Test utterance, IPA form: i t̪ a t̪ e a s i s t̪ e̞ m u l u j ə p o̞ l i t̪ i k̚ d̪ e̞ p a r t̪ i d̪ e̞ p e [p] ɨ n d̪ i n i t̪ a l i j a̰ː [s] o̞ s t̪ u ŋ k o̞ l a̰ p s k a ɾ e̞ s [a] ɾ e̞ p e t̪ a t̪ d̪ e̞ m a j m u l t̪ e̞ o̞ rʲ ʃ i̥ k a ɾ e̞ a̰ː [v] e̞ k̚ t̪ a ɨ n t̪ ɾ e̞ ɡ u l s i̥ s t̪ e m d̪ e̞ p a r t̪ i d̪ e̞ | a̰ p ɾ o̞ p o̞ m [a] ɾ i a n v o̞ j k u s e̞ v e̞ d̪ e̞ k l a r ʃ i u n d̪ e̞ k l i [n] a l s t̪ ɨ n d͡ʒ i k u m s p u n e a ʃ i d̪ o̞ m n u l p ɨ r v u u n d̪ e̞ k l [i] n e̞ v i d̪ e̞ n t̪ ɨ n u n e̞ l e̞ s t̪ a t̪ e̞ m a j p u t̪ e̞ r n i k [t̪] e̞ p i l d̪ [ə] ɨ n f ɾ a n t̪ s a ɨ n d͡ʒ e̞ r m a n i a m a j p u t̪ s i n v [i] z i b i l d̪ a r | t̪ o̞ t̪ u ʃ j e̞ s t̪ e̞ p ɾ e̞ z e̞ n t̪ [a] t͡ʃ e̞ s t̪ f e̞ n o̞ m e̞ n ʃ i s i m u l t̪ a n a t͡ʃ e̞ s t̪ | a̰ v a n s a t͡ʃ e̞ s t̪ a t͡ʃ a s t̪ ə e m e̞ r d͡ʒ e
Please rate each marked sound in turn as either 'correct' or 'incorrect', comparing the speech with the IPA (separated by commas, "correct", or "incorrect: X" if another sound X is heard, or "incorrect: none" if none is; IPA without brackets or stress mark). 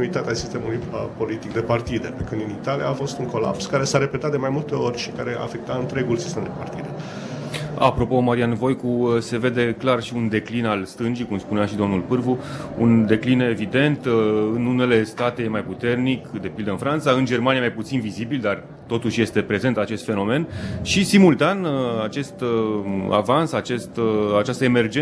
incorrect: k, incorrect: f, correct, incorrect: f, correct, correct, correct, incorrect: d̪, correct, correct, correct